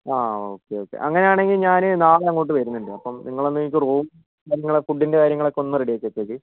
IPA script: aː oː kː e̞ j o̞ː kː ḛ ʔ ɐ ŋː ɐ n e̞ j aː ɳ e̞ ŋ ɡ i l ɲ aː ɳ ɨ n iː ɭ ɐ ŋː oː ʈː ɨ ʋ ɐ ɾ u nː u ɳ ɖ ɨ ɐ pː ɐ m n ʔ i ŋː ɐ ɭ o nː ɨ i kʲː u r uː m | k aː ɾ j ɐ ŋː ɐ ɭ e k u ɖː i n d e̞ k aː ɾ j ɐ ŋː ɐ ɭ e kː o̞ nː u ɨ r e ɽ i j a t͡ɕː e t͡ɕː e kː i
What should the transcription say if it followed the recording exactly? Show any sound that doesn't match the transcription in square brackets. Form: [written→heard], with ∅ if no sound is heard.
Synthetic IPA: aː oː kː e̞ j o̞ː kː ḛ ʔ ɐ ŋː ɐ n e̞ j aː ɳ e̞ ŋ ɡ i l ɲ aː [ɳ→n] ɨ n [iː→aː] ɭ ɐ ŋː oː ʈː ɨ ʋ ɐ ɾ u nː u ɳ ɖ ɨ ɐ pː ɐ m n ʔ i ŋː ɐ ɭ o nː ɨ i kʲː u r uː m | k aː ɾ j ɐ ŋː ɐ ɭ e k u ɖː i n d e̞ k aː ɾ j ɐ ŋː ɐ ɭ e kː o̞ nː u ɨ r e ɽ i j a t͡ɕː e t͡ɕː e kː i

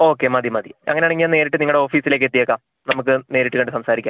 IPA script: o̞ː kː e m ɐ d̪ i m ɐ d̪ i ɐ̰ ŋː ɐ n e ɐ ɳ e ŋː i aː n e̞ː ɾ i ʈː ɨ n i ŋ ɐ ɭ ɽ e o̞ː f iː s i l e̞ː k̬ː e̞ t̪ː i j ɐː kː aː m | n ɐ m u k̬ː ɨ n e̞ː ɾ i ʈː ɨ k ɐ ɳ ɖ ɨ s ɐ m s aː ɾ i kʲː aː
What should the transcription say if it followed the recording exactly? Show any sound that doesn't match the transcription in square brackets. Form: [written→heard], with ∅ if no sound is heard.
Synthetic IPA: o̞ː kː e m ɐ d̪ i m ɐ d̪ i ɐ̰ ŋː ɐ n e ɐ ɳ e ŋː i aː n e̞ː ɾ i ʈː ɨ n i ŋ ɐ ɭ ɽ e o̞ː f iː s i l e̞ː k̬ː e̞ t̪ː i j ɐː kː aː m | n ɐ m u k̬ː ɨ n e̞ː ɾ i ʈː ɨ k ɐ ɳ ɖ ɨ s ɐ m s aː ɾ i kʲː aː

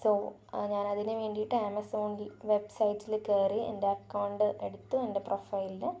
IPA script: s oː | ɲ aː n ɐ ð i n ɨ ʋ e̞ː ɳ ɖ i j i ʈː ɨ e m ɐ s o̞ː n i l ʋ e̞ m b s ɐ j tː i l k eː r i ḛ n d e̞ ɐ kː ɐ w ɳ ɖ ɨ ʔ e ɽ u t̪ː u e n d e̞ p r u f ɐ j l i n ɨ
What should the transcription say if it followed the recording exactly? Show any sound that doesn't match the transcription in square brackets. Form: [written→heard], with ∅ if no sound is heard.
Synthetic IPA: s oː | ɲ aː n ɐ ð i n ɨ ʋ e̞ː ɳ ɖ i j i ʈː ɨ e m ɐ s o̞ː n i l ʋ e̞ [m→∅] b s ɐ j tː i l k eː r i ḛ n d e̞ ɐ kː ɐ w ɳ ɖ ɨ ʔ e ɽ u t̪ː u e n d e̞ p r [u→o] f ɐ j l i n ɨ

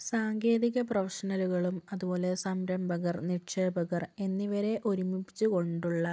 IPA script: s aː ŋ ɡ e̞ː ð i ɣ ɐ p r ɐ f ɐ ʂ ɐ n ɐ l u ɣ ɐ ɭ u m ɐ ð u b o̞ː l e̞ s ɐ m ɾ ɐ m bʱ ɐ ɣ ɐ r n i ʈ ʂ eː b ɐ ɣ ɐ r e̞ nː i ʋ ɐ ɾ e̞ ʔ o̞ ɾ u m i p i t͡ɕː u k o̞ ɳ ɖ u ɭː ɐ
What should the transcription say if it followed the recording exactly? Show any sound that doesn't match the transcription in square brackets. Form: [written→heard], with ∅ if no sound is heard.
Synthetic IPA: s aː ŋ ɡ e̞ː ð i ɣ ɐ p r ɐ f ɐ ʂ ɐ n ɐ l u ɣ ɐ ɭ u m ɐ ð u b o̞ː l e̞ s ɐ m ɾ ɐ m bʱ ɐ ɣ ɐ r n i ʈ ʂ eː b ɐ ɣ ɐ r e̞ nː i ʋ ɐ ɾ e̞ ʔ o̞ ɾ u m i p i t͡ɕː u k o̞ ɳ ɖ u ɭː ɐ

